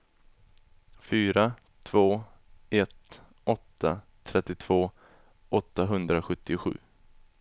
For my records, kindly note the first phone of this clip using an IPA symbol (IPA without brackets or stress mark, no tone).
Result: f